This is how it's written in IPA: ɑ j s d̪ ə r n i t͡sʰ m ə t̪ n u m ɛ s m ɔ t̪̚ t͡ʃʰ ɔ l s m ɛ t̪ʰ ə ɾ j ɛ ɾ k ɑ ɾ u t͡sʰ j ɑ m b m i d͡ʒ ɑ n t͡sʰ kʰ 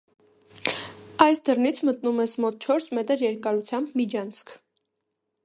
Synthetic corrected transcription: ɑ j s d̪ ə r n i t͡sʰ m ə t̪ n u m ɛ s m ɔ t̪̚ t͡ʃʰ ɔ ɾ s m ɛ t̪ ə ɾ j ɛ ɾ k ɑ ɾ u t͡sʰ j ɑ m b m i d͡ʒ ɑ n t͡sʰ kʰ